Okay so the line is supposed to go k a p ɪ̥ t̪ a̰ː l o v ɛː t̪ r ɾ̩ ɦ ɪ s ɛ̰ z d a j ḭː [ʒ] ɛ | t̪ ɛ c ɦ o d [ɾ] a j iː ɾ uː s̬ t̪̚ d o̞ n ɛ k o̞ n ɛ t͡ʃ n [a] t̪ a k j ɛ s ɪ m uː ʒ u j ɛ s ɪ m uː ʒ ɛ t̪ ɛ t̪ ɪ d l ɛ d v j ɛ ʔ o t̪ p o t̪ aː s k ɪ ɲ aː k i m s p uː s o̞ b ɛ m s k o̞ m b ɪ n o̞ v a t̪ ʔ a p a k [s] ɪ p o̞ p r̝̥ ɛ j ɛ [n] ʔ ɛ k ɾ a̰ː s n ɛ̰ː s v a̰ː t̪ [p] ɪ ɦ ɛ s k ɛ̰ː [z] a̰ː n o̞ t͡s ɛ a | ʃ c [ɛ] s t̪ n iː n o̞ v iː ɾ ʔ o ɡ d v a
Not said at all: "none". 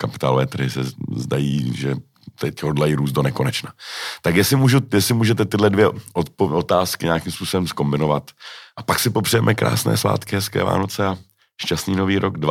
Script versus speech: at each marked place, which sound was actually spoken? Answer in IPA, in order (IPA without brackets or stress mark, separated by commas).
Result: ʒ, l, a, s, m, k, v, a